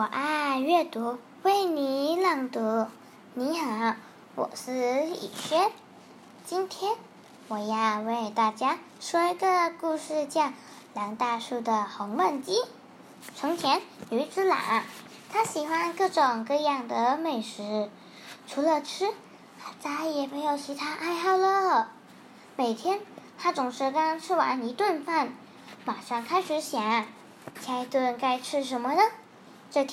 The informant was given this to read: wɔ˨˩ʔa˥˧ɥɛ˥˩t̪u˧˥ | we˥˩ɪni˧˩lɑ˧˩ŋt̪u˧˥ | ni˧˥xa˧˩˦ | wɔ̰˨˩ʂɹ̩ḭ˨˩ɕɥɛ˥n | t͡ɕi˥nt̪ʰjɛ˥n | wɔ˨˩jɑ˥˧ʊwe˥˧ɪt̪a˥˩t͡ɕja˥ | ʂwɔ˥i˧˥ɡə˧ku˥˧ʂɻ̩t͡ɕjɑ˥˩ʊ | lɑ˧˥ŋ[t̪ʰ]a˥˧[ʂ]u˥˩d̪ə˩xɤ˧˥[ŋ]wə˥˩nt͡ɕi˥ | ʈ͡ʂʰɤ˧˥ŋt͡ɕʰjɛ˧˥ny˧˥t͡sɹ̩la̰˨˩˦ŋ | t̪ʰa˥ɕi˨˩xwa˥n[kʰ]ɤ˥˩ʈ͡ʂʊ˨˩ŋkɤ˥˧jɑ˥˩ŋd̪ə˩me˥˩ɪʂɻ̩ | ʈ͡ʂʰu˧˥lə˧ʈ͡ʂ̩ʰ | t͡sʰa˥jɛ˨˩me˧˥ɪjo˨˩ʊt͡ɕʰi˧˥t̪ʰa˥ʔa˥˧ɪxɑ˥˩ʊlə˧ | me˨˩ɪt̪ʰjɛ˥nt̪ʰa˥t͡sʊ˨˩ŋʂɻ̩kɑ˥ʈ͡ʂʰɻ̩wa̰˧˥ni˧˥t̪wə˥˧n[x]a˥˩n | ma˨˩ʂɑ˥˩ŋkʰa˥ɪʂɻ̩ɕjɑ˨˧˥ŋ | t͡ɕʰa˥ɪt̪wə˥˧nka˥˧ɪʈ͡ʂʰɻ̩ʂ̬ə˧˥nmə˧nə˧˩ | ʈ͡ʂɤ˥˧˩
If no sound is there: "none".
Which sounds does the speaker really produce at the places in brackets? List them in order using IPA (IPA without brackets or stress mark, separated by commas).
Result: t̪, ʂ, ŋ, k, f